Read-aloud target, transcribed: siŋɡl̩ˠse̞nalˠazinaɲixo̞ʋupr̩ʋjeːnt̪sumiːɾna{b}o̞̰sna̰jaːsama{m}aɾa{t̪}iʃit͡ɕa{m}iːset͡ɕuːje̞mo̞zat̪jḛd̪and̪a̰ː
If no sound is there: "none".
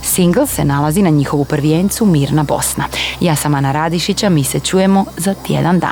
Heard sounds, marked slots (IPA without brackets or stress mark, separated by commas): b, n, d̪, m